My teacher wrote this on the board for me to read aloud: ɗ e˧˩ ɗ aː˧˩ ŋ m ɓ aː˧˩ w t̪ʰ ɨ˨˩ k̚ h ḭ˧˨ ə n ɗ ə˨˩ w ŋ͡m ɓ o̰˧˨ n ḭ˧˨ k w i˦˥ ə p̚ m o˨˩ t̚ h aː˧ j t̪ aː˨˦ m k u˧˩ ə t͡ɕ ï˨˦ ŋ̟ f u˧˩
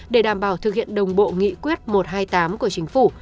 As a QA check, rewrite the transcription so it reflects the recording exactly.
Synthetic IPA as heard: ɗ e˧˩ ɗ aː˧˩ m ɓ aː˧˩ w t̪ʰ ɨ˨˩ k̚ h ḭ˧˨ ə n ɗ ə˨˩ w ŋ͡m ɓ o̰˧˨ ŋ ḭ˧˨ k w i˦˥ ə t̚ m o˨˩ t̚ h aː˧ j t̪ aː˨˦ m k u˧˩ ə t͡ɕ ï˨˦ ŋ̟ f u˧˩